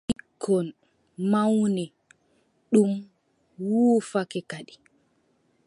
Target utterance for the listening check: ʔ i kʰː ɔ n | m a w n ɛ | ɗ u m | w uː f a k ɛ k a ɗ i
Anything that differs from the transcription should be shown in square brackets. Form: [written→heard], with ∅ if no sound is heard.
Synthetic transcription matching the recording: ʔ i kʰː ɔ n | m a w n ɛ | ɗ u m | w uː f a k ɛ k a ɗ i